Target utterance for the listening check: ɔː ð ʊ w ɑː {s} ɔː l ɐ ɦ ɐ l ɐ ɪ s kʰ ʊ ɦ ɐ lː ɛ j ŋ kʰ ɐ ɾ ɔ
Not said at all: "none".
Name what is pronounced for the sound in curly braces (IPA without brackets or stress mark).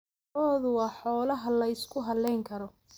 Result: ħ